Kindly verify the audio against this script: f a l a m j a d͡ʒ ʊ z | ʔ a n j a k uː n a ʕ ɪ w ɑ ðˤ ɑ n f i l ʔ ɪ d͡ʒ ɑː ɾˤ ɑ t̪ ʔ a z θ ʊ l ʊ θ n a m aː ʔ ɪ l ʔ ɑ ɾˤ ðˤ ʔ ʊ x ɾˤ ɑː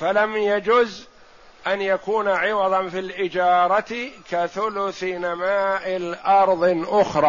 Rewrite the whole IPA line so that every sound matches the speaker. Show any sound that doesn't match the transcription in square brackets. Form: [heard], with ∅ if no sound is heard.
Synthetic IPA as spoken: f a l a m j a d͡ʒ ʊ z | ʔ a n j a k uː n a ʕ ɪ w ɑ ðˤ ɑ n f i l ʔ ɪ d͡ʒ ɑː ɾˤ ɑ t̪ [k] a [∅] θ ʊ l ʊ θ n a m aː ʔ ɪ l ʔ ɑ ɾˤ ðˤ ʔ ʊ x ɾˤ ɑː